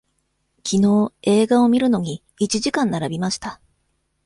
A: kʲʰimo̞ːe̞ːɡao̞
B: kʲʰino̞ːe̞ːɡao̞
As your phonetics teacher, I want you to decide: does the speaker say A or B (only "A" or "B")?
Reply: B